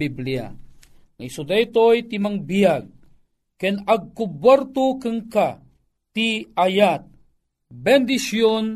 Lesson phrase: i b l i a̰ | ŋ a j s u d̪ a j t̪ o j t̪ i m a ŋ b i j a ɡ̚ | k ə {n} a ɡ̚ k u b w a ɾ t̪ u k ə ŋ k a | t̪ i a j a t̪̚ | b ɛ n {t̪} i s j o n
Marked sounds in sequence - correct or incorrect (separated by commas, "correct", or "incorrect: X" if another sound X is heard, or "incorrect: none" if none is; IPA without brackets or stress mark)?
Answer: correct, incorrect: d̪